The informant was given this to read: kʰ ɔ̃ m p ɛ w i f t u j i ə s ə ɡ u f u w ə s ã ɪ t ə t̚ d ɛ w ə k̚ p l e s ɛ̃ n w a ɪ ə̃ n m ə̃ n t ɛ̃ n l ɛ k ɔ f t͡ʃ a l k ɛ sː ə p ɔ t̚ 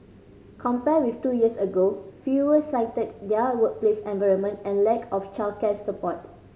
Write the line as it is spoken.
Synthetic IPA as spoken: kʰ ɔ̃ m p ɛ w i f t u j i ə s ə ɡ o f u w ə s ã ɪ t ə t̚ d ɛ w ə k̚ p l e s ɛ̃ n v a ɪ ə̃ n m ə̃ n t ɛ̃ n l ɛ k ɔ f t͡ʃ a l k ɛ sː ə p ɔ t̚